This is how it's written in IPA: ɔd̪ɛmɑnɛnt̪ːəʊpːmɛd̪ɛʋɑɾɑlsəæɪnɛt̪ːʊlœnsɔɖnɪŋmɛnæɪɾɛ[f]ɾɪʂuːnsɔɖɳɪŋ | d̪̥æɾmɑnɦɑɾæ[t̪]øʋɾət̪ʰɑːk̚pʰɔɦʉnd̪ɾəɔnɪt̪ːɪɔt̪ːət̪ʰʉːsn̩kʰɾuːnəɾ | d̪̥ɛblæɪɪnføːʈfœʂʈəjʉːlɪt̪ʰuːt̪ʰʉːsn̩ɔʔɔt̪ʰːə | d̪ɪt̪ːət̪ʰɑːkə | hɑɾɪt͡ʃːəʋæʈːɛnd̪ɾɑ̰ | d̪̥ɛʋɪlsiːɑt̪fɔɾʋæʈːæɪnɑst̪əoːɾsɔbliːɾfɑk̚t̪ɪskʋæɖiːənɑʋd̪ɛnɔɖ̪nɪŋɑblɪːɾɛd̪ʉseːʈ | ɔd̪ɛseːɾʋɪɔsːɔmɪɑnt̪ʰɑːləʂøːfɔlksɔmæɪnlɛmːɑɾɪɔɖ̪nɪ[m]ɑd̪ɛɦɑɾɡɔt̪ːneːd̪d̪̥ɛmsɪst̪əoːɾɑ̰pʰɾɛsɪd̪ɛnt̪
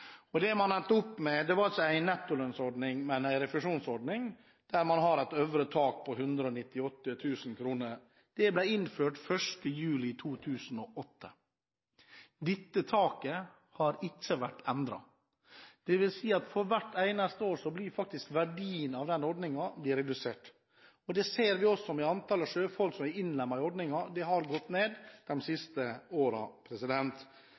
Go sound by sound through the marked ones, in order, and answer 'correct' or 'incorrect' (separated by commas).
correct, correct, incorrect